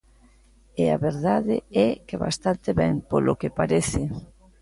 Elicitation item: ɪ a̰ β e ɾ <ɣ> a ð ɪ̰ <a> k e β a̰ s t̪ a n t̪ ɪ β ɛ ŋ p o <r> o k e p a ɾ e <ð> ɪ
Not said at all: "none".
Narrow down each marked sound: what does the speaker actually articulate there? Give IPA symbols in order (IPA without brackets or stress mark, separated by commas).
ð, ɛ, l, θ